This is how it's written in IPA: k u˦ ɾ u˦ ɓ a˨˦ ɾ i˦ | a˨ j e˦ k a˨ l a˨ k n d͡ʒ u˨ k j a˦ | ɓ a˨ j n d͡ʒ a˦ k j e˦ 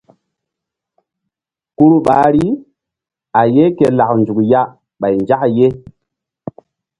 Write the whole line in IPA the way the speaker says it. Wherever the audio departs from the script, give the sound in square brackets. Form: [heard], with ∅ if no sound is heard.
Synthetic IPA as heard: k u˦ ɾ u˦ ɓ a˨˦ ɾ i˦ | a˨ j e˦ k [e˨] l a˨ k n d͡ʒ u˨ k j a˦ | ɓ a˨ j n d͡ʒ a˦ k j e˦